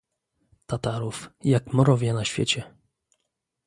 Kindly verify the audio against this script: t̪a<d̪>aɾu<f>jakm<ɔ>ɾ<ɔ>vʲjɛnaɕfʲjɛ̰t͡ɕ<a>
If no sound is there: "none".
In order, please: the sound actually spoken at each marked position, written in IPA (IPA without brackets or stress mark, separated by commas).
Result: t̪, f, ɔ, ɔ, ɛ